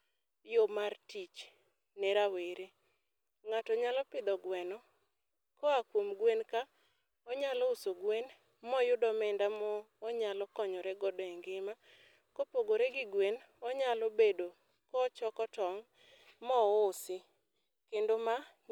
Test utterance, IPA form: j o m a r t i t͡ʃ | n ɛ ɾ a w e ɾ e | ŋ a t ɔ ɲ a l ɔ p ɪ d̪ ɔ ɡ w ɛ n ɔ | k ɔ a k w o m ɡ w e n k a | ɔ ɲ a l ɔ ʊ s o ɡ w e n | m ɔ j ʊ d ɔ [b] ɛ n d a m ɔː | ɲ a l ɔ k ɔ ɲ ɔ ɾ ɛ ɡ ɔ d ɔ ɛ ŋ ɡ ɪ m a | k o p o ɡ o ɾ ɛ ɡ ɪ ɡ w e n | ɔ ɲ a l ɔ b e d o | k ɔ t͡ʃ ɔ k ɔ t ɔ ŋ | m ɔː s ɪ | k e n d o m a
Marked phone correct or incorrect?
incorrect